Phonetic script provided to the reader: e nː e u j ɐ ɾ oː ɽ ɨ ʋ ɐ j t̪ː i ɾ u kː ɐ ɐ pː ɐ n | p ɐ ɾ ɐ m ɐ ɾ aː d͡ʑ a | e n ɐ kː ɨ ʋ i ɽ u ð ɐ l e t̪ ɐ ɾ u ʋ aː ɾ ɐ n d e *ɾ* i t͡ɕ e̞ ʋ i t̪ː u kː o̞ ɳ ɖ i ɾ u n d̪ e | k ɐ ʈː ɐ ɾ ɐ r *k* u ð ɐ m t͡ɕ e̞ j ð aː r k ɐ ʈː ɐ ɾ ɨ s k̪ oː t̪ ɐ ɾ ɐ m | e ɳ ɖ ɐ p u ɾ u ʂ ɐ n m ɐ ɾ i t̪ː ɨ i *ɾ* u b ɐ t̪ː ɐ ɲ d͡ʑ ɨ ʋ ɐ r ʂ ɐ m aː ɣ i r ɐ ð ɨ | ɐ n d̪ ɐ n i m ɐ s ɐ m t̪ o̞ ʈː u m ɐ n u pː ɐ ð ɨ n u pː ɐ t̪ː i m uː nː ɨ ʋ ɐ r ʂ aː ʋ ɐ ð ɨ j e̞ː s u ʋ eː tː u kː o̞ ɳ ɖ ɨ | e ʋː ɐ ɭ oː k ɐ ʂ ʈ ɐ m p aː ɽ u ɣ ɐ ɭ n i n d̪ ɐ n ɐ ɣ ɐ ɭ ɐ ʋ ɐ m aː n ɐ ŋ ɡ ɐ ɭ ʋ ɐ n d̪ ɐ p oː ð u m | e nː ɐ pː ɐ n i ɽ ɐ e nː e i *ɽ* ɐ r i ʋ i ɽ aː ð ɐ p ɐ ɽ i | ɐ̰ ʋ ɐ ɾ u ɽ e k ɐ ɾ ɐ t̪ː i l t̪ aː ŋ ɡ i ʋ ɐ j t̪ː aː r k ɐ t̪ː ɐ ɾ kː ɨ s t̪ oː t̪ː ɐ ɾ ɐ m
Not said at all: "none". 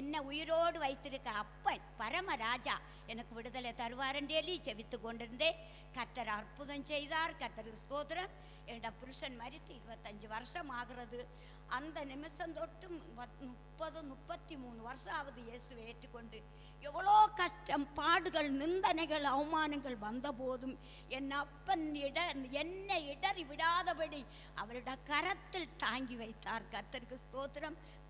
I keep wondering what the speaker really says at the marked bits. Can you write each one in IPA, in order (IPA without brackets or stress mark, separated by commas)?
l, p, ɾ, ɽ